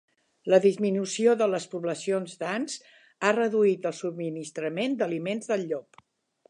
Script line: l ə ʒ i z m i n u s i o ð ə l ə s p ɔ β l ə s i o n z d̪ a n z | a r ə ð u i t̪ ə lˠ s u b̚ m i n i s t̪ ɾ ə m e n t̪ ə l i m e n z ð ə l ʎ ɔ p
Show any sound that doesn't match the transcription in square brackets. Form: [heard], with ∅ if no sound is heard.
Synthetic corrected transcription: l ə [ð] i z m i n u s i o ð ə l ə s p [u] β l ə s i o n z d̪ a n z | a r ə ð u i t̪ ə lˠ s u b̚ m i n i s t̪ ɾ ə m e n [d̪] ə l i m e n z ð ə l ʎ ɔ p